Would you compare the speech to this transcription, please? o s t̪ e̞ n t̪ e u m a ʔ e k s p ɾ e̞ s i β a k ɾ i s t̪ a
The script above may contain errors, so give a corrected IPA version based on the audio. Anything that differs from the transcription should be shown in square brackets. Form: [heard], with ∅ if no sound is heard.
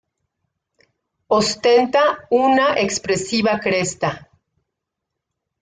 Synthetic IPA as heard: o s t̪ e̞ n t̪ [a] u [n] a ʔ e k s p ɾ e̞ s i β a k ɾ [e] s t̪ a